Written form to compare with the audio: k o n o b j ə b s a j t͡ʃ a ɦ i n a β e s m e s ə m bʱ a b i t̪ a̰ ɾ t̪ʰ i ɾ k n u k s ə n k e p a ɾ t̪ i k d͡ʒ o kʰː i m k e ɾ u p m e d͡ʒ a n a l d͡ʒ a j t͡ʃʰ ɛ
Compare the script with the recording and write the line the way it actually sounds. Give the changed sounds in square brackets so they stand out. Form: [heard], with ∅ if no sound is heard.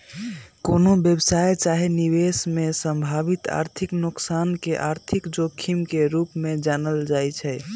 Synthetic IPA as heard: k o n o b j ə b s a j t͡ʃ a ɦ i n [i] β e s m e s ə m bʱ a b i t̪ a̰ ɾ t̪ʰ i [∅] k n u k s [a] n k e [ʔ] a ɾ [t̪ʰ] i k d͡ʒ o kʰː i m k e ɾ u p m e d͡ʒ a n [ə] l d͡ʒ a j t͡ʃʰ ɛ